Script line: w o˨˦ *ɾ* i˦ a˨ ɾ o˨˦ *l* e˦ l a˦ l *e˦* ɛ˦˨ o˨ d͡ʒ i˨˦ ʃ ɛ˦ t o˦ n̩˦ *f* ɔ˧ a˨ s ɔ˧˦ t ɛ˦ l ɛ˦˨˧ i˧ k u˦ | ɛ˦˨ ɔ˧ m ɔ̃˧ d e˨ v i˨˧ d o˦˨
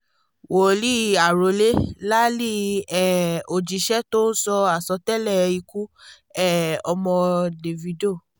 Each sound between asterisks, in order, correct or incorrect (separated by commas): incorrect, correct, incorrect, incorrect